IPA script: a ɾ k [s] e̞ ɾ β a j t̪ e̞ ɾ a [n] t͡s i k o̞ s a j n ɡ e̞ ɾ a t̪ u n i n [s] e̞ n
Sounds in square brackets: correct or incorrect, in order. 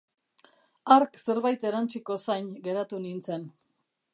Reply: correct, correct, incorrect: t͡s

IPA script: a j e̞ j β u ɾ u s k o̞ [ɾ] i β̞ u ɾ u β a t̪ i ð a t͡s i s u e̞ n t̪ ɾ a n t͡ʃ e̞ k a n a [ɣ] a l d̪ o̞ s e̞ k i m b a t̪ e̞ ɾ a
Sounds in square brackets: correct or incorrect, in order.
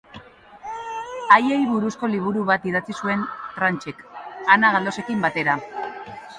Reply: incorrect: l, correct

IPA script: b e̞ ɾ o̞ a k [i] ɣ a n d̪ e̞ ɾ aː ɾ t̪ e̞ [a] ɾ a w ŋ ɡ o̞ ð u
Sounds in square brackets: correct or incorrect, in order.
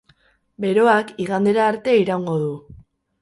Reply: correct, incorrect: i

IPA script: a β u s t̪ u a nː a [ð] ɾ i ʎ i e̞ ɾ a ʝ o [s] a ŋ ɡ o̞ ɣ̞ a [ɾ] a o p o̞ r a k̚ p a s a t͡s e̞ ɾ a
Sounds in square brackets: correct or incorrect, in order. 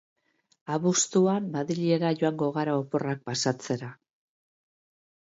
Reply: correct, incorrect: none, correct

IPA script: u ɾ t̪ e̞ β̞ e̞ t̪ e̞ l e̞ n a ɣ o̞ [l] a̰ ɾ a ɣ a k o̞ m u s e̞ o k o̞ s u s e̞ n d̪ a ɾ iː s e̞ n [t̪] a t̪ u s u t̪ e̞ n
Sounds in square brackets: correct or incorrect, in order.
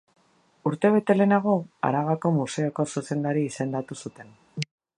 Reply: incorrect: none, incorrect: d̪

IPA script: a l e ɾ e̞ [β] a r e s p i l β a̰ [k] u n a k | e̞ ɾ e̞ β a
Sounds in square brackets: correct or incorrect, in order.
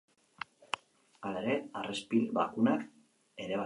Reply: incorrect: none, correct

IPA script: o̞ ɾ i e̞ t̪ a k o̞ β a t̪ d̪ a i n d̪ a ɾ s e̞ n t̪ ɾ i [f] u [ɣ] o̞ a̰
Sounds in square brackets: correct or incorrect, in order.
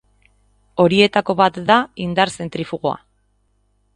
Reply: correct, correct

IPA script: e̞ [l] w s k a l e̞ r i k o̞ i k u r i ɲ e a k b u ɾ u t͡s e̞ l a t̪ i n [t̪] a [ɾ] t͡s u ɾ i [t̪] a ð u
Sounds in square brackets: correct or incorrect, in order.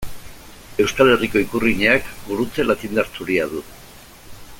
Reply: incorrect: none, incorrect: d̪, correct, incorrect: none

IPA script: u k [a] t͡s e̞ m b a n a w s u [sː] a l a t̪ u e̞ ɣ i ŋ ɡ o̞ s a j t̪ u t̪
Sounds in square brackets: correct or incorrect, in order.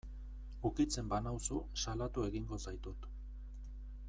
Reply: incorrect: i, incorrect: s

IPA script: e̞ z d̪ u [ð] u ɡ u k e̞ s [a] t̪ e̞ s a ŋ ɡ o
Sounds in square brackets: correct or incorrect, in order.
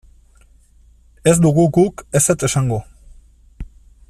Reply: incorrect: ɣ, incorrect: e

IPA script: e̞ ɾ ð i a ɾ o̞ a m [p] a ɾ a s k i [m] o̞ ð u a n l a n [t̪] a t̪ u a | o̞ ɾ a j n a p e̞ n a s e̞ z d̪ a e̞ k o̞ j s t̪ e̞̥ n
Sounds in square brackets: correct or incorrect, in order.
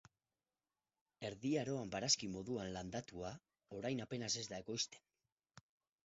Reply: incorrect: b, correct, incorrect: d̪

